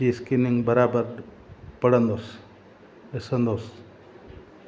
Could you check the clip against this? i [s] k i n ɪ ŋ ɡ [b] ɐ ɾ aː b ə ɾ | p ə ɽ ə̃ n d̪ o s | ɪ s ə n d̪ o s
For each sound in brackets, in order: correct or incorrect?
correct, correct

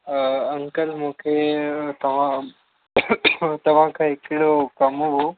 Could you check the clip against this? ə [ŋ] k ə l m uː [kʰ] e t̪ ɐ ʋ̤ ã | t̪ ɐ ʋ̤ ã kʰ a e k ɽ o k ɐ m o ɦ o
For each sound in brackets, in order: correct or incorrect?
correct, correct

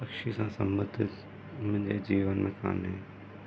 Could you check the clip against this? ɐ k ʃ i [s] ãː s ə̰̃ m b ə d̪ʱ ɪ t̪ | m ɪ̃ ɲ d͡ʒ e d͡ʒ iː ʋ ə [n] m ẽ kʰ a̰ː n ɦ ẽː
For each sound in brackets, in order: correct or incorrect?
correct, correct

